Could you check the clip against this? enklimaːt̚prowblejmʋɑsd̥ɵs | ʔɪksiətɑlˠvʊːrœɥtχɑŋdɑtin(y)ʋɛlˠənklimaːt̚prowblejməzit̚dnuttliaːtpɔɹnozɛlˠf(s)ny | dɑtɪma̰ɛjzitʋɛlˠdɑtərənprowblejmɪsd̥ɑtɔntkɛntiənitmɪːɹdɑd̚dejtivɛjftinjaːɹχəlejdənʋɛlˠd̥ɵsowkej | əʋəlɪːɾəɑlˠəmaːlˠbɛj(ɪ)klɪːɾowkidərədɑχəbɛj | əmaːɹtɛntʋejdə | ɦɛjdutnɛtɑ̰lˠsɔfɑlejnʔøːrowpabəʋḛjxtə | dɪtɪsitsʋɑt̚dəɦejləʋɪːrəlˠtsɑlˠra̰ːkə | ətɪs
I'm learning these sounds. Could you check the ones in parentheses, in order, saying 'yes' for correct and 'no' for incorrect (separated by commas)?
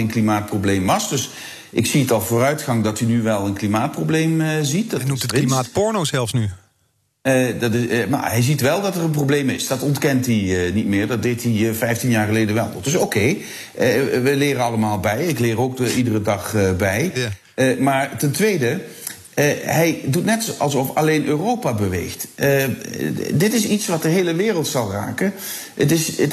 yes, yes, yes